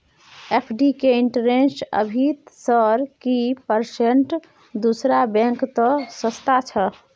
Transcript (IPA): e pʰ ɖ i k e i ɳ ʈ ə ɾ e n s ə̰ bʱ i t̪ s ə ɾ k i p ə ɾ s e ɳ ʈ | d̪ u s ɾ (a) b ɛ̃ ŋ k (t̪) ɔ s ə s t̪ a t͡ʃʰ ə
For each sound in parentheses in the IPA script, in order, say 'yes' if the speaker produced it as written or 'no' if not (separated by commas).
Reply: yes, yes